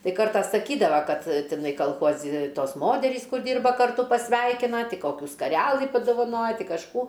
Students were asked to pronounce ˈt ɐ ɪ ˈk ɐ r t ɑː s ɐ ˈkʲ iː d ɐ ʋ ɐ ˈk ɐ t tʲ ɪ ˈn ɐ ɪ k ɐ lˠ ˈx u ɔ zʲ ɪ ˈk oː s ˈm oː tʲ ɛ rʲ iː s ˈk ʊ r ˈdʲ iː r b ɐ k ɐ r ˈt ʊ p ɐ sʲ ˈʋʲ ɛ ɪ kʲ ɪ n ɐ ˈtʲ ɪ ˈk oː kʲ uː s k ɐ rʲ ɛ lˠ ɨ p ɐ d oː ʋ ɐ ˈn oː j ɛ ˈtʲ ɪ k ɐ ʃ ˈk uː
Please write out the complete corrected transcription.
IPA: ˈt ɐ ɪ ˈk ɐ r t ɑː s ɐ ˈkʲ iː d ɐ ʋ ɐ ˈk ɐ t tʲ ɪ ˈn ɐ ɪ k ɐ lˠ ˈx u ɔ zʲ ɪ ˈt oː s ˈm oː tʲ ɛ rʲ iː s ˈk ʊ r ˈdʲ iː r b ɐ k ɐ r ˈt ʊ p ɐ sʲ ˈʋʲ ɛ ɪ kʲ ɪ n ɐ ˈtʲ ɪ ˈk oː kʲ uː s k ɐ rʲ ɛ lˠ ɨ p ɐ d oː ʋ ɐ ˈn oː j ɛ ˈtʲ ɪ k ɐ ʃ ˈk uː

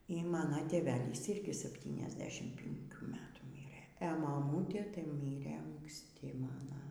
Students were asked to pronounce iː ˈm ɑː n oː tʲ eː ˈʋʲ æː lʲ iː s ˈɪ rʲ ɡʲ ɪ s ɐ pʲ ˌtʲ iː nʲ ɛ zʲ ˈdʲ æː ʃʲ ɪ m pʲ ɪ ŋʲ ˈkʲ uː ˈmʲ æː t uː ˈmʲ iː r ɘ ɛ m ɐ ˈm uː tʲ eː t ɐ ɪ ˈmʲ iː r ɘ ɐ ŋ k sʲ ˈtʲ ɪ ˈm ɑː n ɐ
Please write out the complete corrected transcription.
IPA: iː ˈm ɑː n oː tʲ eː ˈʋʲ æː lʲ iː s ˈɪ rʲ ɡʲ ɪ s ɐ pʲ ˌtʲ iː nʲ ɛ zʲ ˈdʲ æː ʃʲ ɪ m pʲ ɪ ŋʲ ˈkʲ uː ˈmʲ æː t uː ˈmʲ iː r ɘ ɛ m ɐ ˈm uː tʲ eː t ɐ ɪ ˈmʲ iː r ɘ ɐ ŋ k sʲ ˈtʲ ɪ ˈm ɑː n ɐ

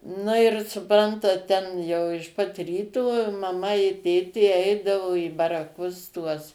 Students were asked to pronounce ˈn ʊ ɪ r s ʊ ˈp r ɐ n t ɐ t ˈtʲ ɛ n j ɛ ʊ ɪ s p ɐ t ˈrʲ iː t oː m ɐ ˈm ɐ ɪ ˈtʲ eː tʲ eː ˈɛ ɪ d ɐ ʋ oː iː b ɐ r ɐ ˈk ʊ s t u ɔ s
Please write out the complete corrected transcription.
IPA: ˈn ʊ ɪ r s ʊ ˈp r ɐ n t ɐ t ˈtʲ ɛ n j ɛ ʊ ɪ ʃ p ɐ t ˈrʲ iː t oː m ɐ ˈm ɐ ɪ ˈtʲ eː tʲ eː ˈɛ ɪ d ɐ ʋ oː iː b ɐ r ɐ ˈk ʊ s t u ɔ s

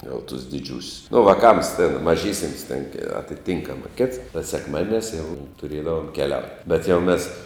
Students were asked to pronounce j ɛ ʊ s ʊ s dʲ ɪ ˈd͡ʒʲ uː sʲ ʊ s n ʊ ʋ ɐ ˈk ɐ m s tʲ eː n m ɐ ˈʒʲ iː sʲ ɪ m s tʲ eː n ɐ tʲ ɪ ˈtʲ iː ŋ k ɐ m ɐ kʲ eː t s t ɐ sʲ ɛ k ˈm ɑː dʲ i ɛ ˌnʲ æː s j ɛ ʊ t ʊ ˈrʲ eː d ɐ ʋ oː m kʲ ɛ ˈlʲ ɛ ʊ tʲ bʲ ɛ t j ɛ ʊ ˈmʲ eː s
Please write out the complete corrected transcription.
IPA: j ɛ ʊ t ʊ s dʲ ɪ ˈd͡ʒʲ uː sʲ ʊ s n ʊ ʋ ɐ ˈk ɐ m s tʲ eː n m ɐ ˈʒʲ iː sʲ ɪ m s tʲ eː n ɐ tʲ ɪ ˈtʲ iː ŋ k ɐ m ɐ kʲ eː t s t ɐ sʲ ɛ k ˈm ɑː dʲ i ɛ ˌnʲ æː s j ɛ ʊ t ʊ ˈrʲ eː d ɐ ʋ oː m kʲ ɛ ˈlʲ ɛ ʊ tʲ bʲ ɛ t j ɛ ʊ ˈmʲ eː s

